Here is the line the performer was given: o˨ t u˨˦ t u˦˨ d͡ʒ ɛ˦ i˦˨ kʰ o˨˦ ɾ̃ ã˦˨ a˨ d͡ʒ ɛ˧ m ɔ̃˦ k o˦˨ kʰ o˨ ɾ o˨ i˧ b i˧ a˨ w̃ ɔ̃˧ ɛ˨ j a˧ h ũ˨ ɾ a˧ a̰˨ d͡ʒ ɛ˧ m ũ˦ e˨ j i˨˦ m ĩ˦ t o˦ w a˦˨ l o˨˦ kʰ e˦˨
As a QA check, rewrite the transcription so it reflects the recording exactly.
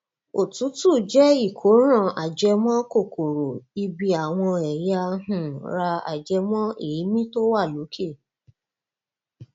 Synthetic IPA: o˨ t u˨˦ t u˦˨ d͡ʒ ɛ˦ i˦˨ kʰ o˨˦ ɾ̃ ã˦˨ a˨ d͡ʒ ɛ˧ m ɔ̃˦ k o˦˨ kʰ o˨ ɾ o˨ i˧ b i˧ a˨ w̃ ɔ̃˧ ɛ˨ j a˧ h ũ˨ ɾ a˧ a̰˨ d͡ʒ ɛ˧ m ɔ̃˦ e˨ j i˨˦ m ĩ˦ t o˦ w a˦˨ l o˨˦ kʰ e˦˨